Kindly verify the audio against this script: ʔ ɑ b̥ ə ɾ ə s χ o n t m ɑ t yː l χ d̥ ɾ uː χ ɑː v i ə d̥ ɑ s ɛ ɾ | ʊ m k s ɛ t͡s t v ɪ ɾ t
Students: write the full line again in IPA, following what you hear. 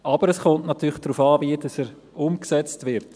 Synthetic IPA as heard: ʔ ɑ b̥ ə ɾ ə s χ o n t n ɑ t yː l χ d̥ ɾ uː f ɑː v i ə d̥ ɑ s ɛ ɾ | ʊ m k s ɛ t͡s t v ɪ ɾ t